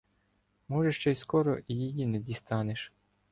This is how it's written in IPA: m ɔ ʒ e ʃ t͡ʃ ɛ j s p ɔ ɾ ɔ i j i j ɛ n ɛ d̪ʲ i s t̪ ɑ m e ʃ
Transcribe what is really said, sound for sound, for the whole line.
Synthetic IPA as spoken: m ɔ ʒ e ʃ t͡ʃ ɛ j s k ɔ ɾ ɔ i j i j i n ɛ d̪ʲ i s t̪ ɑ n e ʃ